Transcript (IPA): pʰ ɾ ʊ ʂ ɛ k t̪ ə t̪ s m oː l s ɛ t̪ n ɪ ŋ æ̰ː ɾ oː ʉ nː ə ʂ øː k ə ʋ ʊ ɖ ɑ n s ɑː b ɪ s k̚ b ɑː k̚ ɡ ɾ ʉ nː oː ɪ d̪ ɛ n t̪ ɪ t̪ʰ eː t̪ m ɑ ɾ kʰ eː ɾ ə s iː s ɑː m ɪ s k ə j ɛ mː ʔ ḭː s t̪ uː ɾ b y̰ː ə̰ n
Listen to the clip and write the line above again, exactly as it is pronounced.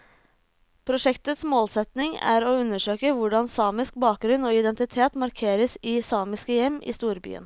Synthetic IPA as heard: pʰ ɾ ʊ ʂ ɛ k t̪ ə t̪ s m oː l s ɛ t̪ n ɪ ŋ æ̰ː ɾ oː ʉ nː ə ʂ øː k ə ʋ ʊ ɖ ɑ n s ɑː m ɪ s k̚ b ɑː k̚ ɡ ɾ ʉ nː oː ɪ d̪ ɛ n t̪ ɪ t̪ʰ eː t̪ m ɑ ɾ kʰ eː ɾ ə s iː s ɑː m ɪ s k ə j ɛ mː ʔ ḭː s t̪ uː ɾ b y̰ː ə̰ n